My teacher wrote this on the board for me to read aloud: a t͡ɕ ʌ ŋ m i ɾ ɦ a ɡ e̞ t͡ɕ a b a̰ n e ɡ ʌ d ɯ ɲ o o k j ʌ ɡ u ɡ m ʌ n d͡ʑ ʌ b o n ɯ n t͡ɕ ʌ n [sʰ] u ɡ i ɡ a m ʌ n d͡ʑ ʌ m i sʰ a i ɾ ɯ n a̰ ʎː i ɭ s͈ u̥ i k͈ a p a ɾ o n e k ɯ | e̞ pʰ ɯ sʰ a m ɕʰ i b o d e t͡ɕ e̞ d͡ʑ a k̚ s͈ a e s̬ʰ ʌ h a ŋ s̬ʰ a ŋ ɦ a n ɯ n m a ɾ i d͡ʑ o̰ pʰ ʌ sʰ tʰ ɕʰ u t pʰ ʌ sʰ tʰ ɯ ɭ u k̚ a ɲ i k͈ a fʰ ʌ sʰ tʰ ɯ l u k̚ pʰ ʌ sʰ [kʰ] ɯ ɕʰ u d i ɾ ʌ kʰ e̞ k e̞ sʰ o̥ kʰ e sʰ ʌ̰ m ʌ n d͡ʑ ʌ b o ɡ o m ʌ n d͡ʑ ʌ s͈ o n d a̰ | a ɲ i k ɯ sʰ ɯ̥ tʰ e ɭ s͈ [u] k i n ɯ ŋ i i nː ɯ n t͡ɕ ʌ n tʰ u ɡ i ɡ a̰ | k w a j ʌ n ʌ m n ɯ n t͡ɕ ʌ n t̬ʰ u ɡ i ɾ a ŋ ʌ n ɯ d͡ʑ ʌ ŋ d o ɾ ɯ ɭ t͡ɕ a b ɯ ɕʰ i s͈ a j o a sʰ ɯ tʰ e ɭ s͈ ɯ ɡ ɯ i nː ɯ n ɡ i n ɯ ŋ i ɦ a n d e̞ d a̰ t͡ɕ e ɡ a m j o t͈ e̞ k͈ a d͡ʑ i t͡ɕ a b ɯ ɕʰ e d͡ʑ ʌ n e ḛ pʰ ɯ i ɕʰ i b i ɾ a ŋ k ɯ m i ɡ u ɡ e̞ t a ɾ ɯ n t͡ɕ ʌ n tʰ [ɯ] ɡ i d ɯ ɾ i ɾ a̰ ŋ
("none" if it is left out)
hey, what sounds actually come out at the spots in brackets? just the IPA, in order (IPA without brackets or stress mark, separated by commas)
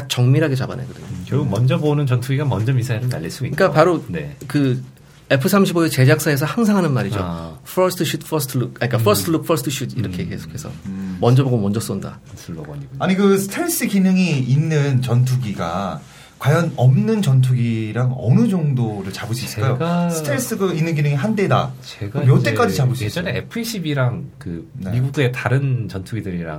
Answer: tʰ, tʰ, ɯ, u